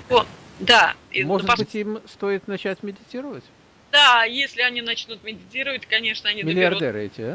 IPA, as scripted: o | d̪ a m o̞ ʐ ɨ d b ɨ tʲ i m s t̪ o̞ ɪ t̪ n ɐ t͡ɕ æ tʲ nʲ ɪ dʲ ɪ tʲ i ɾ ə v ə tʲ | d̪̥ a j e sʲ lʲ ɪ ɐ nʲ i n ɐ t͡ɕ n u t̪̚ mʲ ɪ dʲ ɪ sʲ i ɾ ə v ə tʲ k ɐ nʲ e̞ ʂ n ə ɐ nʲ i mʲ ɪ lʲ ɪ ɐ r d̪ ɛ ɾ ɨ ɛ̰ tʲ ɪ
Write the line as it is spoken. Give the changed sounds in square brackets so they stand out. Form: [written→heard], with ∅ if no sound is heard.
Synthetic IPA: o | d̪ a m o̞ ʐ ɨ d b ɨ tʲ i m s t̪ o̞ ɪ t̪ n ɐ t͡ɕ æ tʲ [nʲ→mʲ] ɪ dʲ ɪ tʲ i ɾ ə v ə tʲ | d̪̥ a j e sʲ lʲ ɪ ɐ nʲ i n ɐ t͡ɕ n u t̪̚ mʲ ɪ dʲ ɪ [sʲ→tʲ] i ɾ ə v ə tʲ k ɐ nʲ e̞ ʂ n ə ɐ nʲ i mʲ ɪ lʲ ɪ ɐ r d̪ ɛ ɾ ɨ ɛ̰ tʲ ɪ